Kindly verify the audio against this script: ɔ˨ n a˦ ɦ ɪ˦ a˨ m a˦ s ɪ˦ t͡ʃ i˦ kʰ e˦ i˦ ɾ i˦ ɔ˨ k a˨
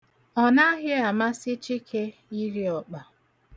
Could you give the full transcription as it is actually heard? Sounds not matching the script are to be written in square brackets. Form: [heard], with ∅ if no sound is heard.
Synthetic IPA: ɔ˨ n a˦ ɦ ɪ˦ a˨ m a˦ s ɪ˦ t͡ʃ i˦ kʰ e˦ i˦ ɾ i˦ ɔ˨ [k͡p] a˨